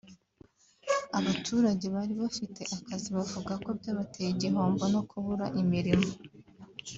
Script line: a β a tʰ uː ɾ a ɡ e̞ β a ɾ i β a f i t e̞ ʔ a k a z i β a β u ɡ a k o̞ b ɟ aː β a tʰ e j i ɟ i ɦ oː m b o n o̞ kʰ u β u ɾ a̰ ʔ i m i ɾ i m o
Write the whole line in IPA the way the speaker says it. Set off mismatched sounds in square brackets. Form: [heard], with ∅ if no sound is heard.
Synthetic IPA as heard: a β a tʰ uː ɾ a [ɟ] e̞ β a ɾ i β a f i t e̞ ʔ a k a z i β a [v] u ɡ a k o̞ b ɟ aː β a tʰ e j i ɟ i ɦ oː m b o n o̞ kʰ u β u ɾ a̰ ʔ i m i ɾ i m o